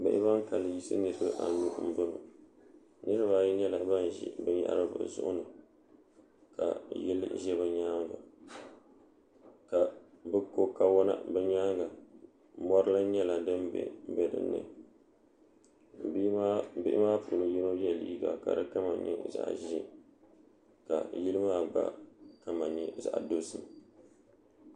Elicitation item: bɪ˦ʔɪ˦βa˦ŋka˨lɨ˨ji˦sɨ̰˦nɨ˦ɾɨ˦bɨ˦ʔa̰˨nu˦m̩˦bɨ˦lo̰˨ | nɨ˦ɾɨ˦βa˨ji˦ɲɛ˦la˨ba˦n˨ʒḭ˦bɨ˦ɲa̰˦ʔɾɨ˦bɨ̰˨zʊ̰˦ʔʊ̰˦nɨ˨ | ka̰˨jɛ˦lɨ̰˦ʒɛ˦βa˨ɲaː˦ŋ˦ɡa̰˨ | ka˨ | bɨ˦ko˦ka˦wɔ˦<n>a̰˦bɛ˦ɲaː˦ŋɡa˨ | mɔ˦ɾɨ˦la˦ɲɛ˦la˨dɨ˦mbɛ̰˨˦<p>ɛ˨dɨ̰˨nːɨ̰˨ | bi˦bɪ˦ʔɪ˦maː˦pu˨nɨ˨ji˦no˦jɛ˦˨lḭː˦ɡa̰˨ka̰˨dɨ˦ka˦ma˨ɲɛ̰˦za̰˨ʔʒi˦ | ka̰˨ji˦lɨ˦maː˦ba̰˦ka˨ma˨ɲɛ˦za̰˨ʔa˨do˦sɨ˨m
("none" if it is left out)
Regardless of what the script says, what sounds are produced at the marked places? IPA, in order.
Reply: n, b

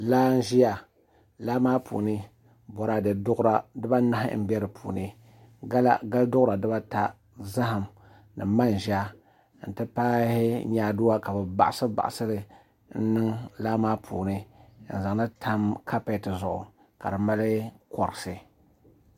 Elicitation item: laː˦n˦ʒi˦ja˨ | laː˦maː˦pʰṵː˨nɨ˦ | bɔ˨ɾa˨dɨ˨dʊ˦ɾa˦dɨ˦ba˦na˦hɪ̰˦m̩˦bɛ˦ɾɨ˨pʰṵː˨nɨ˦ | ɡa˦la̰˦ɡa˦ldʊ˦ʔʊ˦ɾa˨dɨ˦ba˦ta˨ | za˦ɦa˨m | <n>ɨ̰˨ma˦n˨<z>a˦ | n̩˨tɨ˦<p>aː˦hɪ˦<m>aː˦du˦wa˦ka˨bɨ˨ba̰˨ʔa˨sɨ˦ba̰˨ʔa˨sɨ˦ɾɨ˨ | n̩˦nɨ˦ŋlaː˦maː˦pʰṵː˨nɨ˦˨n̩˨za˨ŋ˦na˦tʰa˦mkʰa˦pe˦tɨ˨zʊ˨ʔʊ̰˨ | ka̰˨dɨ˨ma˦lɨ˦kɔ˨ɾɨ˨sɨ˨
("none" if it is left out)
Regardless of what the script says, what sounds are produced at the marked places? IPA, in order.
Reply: n, ʒ, p, ɲ

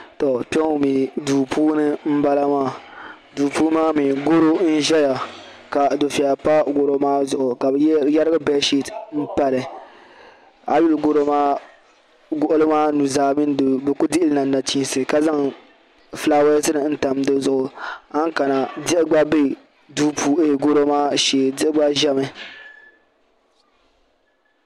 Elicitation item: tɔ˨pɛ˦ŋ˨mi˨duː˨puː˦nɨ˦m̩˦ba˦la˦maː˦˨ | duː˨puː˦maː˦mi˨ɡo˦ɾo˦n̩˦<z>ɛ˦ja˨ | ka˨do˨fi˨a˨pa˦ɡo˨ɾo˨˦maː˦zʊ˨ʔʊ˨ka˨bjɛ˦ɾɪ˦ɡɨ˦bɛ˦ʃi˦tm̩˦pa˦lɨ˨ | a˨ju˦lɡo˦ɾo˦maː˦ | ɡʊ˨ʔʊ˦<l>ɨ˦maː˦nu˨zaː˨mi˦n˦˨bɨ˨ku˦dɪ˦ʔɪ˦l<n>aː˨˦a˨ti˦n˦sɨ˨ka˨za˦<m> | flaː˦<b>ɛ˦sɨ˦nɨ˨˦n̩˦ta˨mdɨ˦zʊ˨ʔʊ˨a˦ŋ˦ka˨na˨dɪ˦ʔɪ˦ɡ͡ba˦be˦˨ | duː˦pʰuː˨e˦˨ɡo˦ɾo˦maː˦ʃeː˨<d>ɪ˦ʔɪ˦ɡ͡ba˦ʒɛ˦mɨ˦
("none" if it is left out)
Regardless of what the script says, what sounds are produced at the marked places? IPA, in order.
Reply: ʒ, l, n, ŋ, w, d

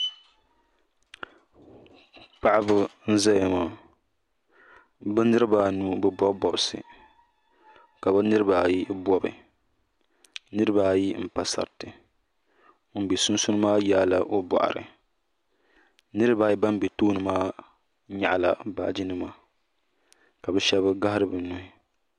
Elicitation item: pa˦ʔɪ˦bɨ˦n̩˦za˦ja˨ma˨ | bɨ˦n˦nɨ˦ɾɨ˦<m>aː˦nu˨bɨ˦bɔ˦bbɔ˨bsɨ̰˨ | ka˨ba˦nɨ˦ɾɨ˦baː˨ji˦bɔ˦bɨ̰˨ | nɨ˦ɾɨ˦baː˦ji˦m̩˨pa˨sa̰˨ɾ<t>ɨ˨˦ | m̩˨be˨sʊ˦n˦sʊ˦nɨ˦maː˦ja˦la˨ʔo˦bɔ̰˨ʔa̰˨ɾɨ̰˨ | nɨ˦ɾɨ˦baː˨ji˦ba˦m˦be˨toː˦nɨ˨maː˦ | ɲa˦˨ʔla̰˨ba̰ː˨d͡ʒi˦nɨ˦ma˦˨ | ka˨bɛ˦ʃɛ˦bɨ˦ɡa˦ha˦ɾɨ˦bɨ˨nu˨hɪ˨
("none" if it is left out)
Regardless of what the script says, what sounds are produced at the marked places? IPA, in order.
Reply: b, t

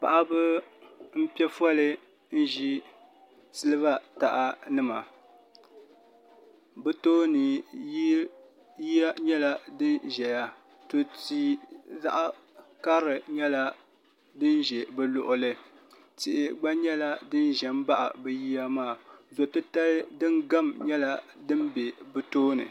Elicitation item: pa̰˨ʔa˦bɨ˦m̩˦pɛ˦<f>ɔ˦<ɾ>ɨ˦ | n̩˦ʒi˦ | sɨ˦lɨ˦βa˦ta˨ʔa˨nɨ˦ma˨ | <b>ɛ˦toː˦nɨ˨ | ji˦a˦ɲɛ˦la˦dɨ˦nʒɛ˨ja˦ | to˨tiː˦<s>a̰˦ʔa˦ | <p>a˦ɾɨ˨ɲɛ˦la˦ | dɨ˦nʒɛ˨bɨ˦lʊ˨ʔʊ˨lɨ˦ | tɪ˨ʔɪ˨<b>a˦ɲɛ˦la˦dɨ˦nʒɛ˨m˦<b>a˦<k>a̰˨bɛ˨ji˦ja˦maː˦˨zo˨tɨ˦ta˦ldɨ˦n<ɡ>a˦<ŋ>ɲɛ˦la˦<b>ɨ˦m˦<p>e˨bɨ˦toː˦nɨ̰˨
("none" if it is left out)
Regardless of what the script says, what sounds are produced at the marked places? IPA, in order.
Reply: f, l, b, z, k, ɡ͡b, b, ʔ, ɡ, m, d, b

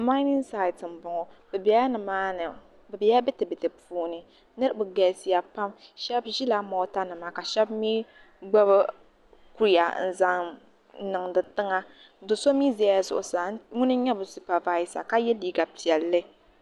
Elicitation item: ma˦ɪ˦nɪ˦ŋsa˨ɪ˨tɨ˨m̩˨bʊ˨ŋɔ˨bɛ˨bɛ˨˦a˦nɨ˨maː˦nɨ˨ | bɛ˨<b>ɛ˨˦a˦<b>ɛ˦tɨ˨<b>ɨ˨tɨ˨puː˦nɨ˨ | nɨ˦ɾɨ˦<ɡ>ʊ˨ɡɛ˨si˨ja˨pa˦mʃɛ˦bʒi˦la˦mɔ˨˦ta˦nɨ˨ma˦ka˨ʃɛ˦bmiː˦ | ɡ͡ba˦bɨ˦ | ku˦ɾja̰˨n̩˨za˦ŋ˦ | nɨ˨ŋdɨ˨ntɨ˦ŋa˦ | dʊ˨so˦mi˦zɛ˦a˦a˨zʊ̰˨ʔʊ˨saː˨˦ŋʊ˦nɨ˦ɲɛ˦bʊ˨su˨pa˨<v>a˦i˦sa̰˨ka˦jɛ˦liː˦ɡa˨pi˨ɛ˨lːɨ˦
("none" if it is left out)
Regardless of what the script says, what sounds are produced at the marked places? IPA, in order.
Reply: b, b, b, b, v

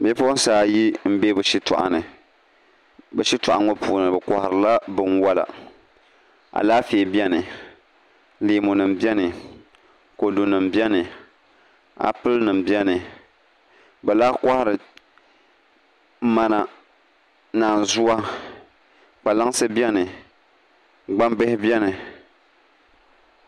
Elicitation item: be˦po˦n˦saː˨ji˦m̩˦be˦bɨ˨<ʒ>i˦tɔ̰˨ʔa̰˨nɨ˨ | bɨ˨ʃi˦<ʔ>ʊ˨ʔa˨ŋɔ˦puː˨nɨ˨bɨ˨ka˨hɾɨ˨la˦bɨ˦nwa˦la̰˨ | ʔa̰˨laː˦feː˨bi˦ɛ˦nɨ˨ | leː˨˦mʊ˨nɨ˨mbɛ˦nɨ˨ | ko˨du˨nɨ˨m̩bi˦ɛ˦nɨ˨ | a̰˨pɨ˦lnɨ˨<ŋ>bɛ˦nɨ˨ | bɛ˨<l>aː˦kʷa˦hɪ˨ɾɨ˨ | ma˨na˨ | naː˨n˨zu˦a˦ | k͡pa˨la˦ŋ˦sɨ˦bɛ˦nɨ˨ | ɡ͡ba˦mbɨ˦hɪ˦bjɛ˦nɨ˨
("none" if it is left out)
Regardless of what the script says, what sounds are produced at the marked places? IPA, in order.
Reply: ʃ, t, m, l

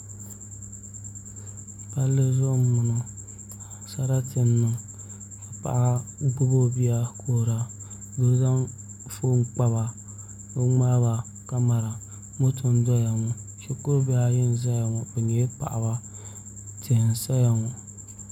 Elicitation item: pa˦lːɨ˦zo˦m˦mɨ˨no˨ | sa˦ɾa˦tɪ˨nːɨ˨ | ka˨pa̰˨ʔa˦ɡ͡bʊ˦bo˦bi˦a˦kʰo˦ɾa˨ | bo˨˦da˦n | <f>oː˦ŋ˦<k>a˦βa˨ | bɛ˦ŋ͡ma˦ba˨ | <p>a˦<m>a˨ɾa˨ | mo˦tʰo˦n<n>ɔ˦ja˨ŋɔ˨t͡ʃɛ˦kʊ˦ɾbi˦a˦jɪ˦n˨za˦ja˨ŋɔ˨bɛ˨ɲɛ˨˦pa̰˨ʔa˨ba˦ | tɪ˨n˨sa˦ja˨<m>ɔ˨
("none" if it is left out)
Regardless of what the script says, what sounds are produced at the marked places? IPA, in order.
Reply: f, k͡p, k, m, d, ŋ

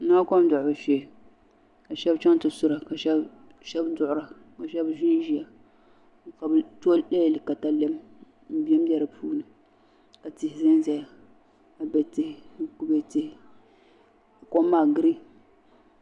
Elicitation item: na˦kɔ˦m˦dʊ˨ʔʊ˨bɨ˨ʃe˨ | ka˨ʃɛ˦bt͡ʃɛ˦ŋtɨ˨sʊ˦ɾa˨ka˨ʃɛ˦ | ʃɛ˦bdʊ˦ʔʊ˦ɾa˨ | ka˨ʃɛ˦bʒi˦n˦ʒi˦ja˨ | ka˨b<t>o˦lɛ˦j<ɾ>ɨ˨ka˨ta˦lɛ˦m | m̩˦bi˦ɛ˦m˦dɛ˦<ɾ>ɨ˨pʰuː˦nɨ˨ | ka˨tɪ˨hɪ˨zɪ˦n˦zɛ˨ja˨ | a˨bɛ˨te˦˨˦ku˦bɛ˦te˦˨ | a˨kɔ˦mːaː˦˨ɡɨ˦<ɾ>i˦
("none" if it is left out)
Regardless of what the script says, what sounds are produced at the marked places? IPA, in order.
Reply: t, l, ɾ, ɾ

